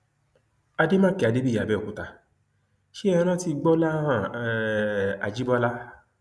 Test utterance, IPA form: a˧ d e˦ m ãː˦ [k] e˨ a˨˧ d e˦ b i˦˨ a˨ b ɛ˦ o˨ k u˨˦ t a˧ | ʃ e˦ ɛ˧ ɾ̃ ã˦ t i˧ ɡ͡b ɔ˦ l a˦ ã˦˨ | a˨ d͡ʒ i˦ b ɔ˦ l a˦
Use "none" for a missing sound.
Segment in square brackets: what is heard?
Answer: k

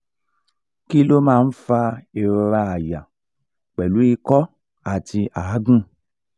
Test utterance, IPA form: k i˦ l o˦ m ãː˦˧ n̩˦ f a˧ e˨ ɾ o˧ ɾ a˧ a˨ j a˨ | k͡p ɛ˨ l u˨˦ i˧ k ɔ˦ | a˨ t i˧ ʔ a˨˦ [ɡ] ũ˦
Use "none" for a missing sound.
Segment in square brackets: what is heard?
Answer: ɡ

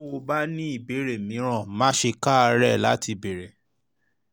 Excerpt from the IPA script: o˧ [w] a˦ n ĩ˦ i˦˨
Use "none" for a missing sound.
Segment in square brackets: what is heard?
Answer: b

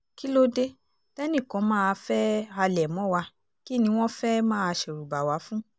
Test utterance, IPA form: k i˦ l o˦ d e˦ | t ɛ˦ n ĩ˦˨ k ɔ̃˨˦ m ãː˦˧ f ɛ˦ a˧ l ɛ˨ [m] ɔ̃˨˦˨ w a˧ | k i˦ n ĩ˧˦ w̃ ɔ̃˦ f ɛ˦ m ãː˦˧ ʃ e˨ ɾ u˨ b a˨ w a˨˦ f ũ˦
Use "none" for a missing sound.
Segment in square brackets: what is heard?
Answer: m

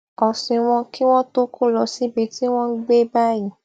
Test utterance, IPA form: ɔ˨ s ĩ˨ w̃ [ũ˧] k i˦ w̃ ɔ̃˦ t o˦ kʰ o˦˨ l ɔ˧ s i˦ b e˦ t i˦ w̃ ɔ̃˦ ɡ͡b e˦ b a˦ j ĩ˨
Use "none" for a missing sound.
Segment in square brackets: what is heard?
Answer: ɔ̃˧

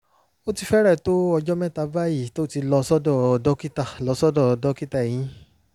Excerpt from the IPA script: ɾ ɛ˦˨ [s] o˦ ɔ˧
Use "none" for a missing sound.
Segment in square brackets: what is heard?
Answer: t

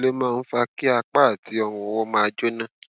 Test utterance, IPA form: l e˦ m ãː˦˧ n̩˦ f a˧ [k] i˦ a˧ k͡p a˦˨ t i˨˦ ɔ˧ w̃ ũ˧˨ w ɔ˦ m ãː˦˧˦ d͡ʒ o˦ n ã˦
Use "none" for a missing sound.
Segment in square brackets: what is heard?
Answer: k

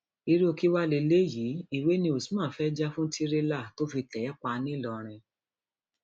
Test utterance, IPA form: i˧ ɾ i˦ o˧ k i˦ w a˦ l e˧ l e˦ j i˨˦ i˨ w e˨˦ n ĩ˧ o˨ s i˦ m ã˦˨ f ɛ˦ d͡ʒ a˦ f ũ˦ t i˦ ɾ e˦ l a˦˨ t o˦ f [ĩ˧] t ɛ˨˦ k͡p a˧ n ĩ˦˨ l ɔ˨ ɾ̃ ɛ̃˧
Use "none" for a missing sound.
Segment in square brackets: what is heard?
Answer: i˧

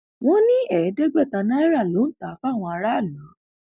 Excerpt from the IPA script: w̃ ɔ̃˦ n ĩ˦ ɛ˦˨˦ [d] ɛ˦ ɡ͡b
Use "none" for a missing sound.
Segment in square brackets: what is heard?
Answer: d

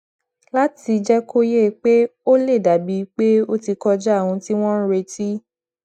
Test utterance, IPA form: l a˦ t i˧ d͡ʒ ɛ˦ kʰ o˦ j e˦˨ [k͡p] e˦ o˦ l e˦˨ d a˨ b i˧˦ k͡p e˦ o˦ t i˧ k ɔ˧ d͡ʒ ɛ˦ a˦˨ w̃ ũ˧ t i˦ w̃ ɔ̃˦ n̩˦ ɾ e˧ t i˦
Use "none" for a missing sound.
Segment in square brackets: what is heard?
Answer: k͡p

